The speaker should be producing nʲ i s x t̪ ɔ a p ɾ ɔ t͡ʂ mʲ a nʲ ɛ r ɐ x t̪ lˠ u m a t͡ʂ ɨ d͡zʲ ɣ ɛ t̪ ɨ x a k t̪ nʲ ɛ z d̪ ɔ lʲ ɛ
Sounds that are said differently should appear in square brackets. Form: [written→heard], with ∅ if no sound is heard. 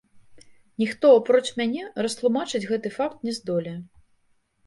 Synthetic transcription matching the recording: nʲ i [s→∅] x t̪ ɔ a p ɾ ɔ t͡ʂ mʲ a nʲ ɛ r ɐ [x→s] t̪ lˠ u m a t͡ʂ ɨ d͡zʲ ɣ ɛ t̪ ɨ [x→f] a k t̪ nʲ ɛ z d̪ ɔ lʲ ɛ